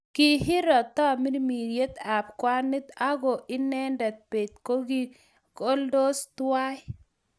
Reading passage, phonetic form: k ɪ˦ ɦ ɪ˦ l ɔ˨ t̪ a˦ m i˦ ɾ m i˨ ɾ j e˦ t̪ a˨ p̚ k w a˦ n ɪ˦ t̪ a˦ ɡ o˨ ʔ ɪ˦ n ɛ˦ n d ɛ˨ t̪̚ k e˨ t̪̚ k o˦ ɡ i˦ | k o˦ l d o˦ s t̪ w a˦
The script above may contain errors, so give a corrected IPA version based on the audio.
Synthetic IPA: k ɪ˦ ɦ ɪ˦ ɾ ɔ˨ t̪ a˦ m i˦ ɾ m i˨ ɾ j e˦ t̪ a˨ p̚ k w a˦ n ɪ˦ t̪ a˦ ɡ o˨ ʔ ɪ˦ n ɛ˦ n d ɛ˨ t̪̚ p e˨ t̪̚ k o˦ ɡ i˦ | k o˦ l d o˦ s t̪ w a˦